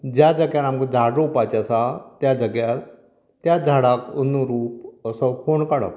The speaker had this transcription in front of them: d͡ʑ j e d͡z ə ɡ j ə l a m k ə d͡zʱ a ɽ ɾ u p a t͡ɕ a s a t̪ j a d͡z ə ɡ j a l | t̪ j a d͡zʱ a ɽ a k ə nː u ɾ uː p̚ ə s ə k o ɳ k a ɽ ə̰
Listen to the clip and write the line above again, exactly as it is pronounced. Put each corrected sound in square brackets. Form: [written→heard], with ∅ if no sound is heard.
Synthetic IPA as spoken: d͡ʑ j [e→a] d͡z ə ɡ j [ə→a] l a m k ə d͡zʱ a ɽ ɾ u p a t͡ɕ a s a t̪ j a d͡z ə ɡ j a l | t̪ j a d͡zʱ a ɽ a k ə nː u ɾ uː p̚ ə s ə k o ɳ k a ɽ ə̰